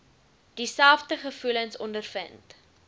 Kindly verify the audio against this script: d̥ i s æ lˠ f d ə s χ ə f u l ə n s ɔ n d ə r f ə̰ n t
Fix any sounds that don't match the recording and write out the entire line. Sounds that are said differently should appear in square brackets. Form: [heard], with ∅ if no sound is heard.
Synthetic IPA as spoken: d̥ i s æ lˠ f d ə [∅] χ ə f u l ə n s ɔ n d ə r f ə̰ n t